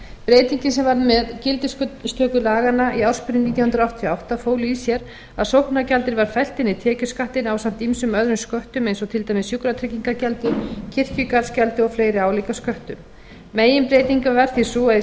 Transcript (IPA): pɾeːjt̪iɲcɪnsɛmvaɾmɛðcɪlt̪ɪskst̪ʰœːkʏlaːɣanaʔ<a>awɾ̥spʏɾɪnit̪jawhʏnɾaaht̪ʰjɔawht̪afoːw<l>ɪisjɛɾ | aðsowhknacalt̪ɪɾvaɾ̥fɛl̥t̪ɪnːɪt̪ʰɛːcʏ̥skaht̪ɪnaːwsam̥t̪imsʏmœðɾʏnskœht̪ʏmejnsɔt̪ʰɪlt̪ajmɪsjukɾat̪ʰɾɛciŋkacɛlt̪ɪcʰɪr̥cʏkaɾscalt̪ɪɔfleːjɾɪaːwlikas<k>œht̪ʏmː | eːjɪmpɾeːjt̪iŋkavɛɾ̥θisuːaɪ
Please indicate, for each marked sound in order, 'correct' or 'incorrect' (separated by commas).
incorrect, correct, correct